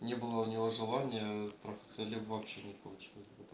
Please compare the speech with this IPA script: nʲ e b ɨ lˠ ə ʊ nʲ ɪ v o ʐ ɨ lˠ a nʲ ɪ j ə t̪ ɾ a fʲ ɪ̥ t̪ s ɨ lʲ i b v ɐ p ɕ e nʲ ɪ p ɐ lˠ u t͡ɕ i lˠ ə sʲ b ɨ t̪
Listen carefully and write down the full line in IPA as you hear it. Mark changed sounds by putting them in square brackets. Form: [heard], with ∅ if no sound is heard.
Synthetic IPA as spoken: nʲ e b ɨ lˠ ə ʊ nʲ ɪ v o ʐ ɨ lˠ a nʲ ɪ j ə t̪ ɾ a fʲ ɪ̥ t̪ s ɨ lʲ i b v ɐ p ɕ e nʲ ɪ p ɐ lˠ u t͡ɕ i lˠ ə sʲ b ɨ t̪

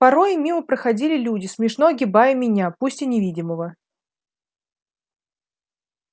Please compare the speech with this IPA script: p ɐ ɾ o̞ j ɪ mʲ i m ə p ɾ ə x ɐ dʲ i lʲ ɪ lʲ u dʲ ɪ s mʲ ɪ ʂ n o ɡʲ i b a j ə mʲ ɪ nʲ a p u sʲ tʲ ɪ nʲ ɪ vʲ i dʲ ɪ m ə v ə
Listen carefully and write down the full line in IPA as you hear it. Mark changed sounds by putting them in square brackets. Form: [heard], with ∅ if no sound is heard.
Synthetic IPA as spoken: p ɐ ɾ o̞ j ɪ mʲ i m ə p ɾ ə x ɐ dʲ i lʲ ɪ lʲ u dʲ ɪ s mʲ ɪ ʂ n o ɡʲ [ɪ] b a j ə mʲ ɪ nʲ a p u sʲ tʲ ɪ nʲ ɪ vʲ i dʲ ɪ m ə v ə

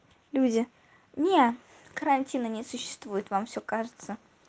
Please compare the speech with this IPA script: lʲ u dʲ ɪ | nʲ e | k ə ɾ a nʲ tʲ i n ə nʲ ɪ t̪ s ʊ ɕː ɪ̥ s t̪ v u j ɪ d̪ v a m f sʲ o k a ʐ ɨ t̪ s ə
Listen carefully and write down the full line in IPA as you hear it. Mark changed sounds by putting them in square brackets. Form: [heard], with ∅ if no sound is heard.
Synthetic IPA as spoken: lʲ u dʲ ɪ | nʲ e | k ə ɾ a nʲ tʲ i n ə nʲ ɪ [∅] s ʊ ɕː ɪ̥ s t̪ v u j ɪ [t̪] v a m f sʲ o k a ʐ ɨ t̪ s ə

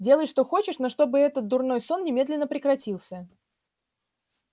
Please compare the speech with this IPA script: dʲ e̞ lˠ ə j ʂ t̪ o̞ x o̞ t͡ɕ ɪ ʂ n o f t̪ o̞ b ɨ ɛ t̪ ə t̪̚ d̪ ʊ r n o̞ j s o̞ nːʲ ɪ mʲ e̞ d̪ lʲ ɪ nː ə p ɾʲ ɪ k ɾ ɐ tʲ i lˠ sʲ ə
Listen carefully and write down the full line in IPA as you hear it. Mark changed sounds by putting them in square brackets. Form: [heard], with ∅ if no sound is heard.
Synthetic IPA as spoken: dʲ e̞ lˠ ə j ʂ t̪ o̞ x o̞ t͡ɕ ɪ ʂ n o [ʂ] t̪ o̞ b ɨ ɛ t̪ ə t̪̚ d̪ ʊ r n o̞ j s o̞ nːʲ ɪ mʲ e̞ d̪ lʲ ɪ nː ə p ɾʲ ɪ k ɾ ɐ tʲ i lˠ sʲ ə

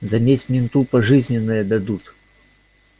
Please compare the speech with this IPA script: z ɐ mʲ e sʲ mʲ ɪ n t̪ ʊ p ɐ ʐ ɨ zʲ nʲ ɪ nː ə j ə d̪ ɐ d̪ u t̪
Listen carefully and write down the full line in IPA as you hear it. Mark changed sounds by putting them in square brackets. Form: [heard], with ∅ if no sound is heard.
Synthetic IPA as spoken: z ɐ mʲ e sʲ mʲ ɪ n t̪ [u] p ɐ ʐ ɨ zʲ nʲ ɪ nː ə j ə d̪ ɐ d̪ u t̪

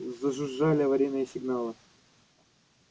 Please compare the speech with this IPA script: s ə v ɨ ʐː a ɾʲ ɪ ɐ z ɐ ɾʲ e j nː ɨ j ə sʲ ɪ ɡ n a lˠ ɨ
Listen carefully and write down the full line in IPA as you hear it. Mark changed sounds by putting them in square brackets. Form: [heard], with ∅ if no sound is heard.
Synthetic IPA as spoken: [z] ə [ʐ] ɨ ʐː a [lʲ] ɪ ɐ [v] ɐ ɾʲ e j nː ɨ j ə sʲ ɪ ɡ n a lˠ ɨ

